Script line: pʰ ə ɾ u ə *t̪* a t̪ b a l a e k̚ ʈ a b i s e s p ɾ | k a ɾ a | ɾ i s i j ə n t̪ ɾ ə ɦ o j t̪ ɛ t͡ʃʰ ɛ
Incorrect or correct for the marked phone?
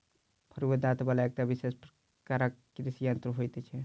incorrect: d̪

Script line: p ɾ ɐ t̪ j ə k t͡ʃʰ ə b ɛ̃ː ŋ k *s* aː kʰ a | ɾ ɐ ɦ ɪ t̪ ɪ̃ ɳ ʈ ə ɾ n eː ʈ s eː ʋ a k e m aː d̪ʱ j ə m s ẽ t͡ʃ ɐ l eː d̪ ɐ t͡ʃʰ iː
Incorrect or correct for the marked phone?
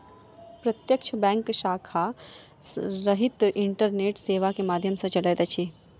incorrect: ʃ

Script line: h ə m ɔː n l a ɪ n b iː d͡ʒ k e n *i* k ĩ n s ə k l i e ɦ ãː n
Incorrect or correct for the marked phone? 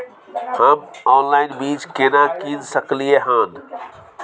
incorrect: a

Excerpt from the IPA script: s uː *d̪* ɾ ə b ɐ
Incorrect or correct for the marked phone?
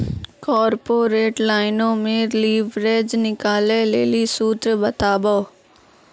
incorrect: t̪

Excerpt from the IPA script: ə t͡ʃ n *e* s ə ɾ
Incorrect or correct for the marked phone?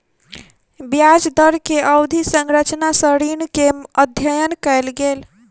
incorrect: a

